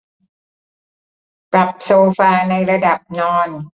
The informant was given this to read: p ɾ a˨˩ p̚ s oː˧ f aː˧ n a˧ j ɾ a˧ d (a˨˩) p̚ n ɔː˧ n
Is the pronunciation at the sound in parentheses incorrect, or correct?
correct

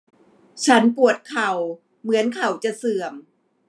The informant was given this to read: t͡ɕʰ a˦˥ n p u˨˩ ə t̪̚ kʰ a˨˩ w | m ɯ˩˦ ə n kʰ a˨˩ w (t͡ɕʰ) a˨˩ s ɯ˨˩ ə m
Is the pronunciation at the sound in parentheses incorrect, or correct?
incorrect: t͡ɕ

